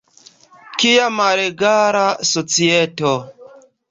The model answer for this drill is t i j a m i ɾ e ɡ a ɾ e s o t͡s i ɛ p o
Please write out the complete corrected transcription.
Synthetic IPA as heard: k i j a m a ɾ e ɡ a ɾ a s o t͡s i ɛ t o